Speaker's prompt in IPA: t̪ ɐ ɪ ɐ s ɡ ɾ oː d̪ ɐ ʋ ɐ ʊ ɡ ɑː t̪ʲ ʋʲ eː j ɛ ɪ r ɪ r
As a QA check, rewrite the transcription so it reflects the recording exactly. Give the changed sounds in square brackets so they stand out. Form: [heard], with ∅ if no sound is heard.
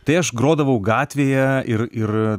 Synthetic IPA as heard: t̪ ɐ ɪ ɐ [ʃ] ɡ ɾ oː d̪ ɐ ʋ ɐ ʊ ɡ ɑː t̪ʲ ʋʲ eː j ɛ ɪ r ɪ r